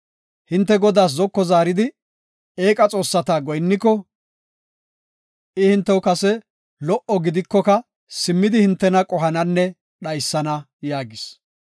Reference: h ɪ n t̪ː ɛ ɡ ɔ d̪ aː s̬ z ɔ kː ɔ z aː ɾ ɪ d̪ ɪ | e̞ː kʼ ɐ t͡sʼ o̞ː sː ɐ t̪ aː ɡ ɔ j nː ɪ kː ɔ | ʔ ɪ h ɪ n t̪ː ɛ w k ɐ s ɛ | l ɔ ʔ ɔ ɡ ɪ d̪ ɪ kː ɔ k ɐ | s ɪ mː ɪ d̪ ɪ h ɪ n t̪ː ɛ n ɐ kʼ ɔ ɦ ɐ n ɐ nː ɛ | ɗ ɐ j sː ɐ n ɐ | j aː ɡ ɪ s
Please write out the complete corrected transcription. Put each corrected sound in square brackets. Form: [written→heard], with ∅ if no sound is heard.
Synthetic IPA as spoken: h ɪ n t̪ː ɛ ɡ ɔ d̪ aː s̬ z ɔ kː ɔ z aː ɾ ɪ d̪ ɪ | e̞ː kʼ ɐ t͡sʼ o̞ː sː ɐ t̪ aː ɡ ɔ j nː ɪ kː ɔ | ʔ ɪ h ɪ n t̪ː ɛ w k ɐ s ɛ | l ɔ ʔ ɔ ɡ ɪ d̪ ɪ kː ɔ k ɐ | s ɪ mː ɪ d̪ ɪ h ɪ n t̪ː ɛ n ɐ kʼ ɔ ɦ ɐ n ɐ nː ɛ | ɗ ɐ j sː ɐ n ɐ | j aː ɡ ɪ s